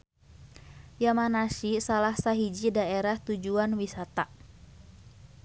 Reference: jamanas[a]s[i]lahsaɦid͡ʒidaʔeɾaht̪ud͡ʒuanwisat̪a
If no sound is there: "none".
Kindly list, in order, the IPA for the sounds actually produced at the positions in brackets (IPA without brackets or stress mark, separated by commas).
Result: i, a